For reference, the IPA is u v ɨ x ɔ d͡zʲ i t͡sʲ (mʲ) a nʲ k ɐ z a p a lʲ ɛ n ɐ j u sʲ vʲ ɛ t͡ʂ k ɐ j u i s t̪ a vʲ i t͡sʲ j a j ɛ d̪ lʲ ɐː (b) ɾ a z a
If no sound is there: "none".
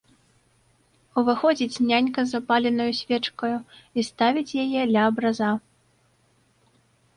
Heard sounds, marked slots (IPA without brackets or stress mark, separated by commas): nʲ, b